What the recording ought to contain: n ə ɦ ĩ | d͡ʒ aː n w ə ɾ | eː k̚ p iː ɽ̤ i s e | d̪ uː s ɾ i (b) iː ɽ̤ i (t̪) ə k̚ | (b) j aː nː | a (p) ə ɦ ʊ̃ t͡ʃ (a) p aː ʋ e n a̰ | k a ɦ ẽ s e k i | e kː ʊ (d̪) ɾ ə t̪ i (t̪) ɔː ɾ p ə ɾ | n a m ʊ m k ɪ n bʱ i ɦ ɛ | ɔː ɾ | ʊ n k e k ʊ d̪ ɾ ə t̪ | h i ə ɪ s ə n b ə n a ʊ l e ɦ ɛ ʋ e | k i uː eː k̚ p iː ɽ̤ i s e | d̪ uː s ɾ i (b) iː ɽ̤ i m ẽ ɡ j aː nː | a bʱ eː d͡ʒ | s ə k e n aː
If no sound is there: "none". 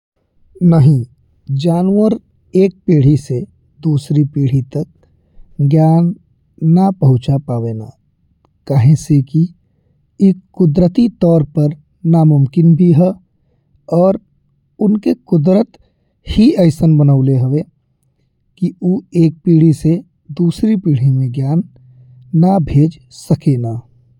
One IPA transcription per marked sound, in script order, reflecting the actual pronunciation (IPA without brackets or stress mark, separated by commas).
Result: p, t̪, ɡ, p, a, d̪, t̪, p